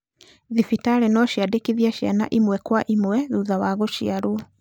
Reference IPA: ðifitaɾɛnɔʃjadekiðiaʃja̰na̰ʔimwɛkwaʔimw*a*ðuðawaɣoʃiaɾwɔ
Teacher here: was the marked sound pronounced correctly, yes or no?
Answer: no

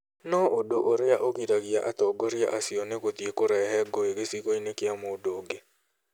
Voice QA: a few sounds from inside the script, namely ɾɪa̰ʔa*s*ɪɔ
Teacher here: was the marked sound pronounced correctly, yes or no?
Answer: yes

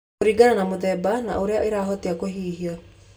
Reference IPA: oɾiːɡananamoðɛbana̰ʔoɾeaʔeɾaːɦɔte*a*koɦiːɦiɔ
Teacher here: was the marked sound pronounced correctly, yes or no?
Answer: yes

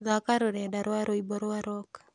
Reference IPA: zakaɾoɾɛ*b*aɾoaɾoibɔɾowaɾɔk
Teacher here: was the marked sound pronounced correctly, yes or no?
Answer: no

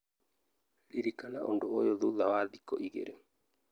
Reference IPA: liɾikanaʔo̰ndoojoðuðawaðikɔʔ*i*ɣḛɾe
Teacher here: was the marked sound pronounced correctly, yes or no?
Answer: yes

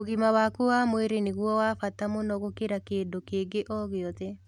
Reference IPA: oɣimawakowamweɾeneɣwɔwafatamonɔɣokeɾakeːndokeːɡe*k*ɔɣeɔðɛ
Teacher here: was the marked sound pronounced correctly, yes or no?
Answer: no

